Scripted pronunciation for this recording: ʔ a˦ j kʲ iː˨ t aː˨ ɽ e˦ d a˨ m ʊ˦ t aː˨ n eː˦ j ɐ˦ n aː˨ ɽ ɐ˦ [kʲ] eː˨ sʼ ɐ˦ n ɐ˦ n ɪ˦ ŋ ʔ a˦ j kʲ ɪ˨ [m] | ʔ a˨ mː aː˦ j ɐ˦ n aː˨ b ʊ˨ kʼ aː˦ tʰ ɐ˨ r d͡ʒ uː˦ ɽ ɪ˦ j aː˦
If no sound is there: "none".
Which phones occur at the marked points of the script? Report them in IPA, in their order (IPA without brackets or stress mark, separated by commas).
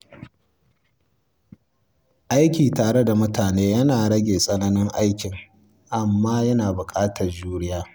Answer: ɡʲ, ŋ